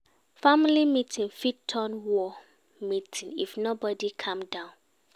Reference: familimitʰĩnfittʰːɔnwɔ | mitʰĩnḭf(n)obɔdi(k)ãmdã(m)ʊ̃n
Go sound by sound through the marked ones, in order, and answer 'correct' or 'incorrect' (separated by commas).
correct, incorrect, incorrect